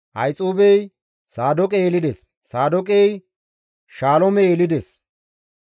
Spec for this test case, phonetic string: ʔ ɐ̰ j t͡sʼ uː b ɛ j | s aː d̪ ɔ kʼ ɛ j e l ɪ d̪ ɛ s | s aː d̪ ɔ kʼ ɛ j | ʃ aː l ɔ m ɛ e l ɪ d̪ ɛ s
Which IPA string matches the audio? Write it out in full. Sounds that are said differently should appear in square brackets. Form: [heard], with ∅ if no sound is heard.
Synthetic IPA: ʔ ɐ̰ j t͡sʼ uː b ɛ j | s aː d̪ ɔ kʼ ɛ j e l ɪ d̪ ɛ s | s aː d̪ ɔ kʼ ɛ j | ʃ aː l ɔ m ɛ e l ɪ d̪ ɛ s

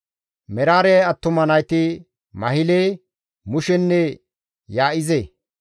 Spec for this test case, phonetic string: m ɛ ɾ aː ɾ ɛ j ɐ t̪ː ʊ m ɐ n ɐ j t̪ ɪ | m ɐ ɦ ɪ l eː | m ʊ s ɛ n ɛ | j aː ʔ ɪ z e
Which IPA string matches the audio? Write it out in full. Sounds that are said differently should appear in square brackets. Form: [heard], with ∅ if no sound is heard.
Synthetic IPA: m ɛ ɾ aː ɾ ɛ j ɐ t̪ː ʊ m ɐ n ɐ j t̪ ɪ | m ɐ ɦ ɪ l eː | m ʊ [ʃ] ɛ [nː] ɛ | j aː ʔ ɪ z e

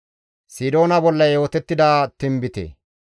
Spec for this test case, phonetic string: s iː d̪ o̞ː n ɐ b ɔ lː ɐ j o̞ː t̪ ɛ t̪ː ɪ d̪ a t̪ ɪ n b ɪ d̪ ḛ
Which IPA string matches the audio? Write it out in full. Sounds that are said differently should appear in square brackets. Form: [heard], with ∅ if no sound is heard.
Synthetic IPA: s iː d̪ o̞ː n ɐ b ɔ lː ɐ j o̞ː t̪ ɛ t̪ː ɪ d̪ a t̪ ɪ [m] b ɪ [t̪] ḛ

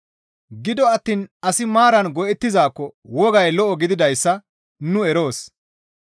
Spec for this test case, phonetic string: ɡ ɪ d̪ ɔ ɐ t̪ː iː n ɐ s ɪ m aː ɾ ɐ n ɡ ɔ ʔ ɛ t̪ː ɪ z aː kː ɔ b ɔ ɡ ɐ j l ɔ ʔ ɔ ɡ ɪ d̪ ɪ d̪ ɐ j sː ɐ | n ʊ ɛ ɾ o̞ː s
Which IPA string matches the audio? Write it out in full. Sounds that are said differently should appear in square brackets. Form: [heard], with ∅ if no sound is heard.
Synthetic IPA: ɡ ɪ d̪ ɔ ɐ t̪ː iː n ɐ s ɪ m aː ɾ ɐ n ɡ ɔ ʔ ɛ t̪ː ɪ z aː kː ɔ [w] ɔ ɡ ɐ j l ɔ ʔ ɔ ɡ ɪ d̪ ɪ d̪ ɐ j sː ɐ | n ʊ ɛ ɾ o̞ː s

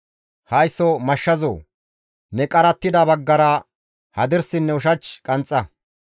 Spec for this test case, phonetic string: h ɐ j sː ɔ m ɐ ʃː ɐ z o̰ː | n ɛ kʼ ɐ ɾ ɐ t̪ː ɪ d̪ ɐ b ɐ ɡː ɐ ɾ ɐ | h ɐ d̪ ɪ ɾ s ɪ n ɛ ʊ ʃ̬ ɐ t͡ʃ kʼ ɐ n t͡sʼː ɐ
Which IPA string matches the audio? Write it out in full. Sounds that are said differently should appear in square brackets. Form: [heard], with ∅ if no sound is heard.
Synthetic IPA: h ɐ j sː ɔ m ɐ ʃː ɐ z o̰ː | n ɛ kʼ ɐ ɾ ɐ t̪ː ɪ d̪ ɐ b ɐ ɡː ɐ ɾ ɐ | h ɐ d̪ ɪ ɾ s ɪ [nː] ɛ ʊ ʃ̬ ɐ t͡ʃ kʼ ɐ n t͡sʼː ɐ

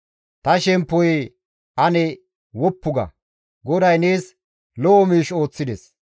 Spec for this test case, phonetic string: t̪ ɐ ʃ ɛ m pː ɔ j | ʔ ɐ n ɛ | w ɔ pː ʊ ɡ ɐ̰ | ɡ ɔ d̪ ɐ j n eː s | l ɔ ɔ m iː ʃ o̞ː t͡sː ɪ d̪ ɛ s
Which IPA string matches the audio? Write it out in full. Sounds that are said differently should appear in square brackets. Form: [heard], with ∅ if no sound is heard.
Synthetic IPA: t̪ ɐ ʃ ɛ m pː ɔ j | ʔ ɐ n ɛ | w ɔ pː ʊ ɡ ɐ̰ | ɡ ɔ d̪ ɐ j n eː s | l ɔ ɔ m iː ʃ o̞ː t͡sː ɪ d̪ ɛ s

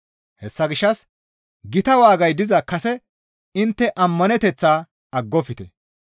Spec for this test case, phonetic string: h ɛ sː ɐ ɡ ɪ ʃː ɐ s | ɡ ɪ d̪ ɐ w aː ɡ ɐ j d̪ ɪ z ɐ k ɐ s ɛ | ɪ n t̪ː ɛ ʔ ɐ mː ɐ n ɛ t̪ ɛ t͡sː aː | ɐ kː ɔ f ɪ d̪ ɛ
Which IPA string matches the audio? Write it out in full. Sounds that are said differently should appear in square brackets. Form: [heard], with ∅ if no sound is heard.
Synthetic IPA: h ɛ sː ɐ ɡ ɪ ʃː ɐ s | ɡ ɪ [t̪] ɐ w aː ɡ ɐ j d̪ ɪ z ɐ k ɐ s ɛ | ɪ n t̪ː ɛ ʔ ɐ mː ɐ n ɛ t̪ ɛ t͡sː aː | ɐ [ɡː] ɔ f ɪ [t̪] ɛ

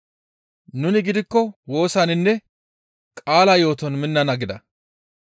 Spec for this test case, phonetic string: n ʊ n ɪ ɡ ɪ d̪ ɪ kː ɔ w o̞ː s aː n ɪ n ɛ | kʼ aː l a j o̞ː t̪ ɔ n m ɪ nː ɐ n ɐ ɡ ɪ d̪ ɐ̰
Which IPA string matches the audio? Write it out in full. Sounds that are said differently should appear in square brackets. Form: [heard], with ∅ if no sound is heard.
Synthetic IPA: n ʊ n ɪ ɡ ɪ d̪ ɪ kː ɔ w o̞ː s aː n ɪ [nː] ɛ | kʼ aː l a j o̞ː t̪ ɔ n m ɪ nː ɐ n ɐ ɡ ɪ d̪ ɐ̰

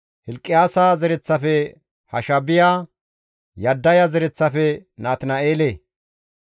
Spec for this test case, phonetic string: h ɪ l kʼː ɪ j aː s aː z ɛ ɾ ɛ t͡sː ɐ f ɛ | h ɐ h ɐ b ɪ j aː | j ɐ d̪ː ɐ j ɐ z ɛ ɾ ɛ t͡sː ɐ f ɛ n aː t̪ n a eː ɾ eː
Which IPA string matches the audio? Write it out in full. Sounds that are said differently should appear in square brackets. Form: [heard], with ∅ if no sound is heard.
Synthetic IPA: h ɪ l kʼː ɪ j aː s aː z ɛ ɾ ɛ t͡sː ɐ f ɛ | h ɐ [ʃ] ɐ b ɪ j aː | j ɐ d̪ː ɐ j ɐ z ɛ ɾ ɛ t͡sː ɐ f ɛ n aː t̪ n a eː [l] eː

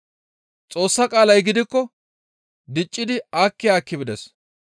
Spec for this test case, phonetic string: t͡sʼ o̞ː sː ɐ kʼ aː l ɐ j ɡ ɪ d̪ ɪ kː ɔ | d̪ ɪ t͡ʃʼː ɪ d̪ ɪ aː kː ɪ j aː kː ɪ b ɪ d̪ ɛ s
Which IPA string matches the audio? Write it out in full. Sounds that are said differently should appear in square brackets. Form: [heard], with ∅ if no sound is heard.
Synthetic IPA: t͡sʼ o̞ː sː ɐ kʼ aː l ɐ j ɡ ɪ d̪ ɪ kː ɔ | d̪ ɪ t͡ʃʼː ɪ d̪ ɪ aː kː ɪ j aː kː ɪ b ɪ d̪ ɛ s

